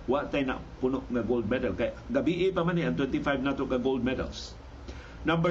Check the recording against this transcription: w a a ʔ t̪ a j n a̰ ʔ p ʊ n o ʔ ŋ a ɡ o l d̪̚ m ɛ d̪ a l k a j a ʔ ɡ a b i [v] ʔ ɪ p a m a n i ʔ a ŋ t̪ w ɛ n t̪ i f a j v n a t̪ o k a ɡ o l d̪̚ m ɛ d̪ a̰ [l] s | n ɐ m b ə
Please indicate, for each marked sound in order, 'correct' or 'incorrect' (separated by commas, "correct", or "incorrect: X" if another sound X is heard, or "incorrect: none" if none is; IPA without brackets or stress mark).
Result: incorrect: none, correct